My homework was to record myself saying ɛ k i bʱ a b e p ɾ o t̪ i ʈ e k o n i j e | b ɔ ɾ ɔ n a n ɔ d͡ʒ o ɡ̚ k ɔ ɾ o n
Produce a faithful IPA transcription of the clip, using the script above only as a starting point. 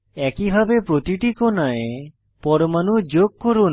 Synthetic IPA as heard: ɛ k i bʱ a b e p ɾ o t̪ i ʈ i k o n a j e | p ɔ ɾ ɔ m a n u d͡ʒ o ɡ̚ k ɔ ɾ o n